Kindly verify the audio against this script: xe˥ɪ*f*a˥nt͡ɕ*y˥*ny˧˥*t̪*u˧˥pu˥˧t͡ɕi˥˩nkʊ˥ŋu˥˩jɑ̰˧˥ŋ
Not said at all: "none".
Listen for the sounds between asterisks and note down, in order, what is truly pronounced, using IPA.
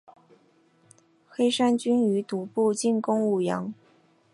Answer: ʂ, y˥, t̪

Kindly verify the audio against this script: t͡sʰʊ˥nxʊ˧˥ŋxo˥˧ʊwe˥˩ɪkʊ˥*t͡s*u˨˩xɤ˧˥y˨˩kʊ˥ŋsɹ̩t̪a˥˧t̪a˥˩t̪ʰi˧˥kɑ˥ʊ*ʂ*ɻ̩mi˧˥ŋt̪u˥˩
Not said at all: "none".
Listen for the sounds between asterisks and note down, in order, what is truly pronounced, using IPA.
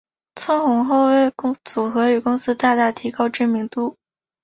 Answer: t͡s, ʈ͡ʂ

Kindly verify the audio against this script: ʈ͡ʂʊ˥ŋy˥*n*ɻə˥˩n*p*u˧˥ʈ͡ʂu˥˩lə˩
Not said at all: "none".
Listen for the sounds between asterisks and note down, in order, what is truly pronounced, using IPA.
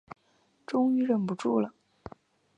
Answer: none, p

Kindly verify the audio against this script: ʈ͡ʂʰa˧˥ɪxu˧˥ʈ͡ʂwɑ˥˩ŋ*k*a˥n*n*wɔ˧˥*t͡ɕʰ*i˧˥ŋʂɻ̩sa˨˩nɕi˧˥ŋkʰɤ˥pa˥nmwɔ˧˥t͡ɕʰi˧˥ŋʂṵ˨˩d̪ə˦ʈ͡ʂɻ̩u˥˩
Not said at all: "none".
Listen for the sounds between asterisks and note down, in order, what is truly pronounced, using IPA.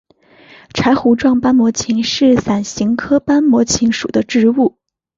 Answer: p, m, t͡ɕʰ

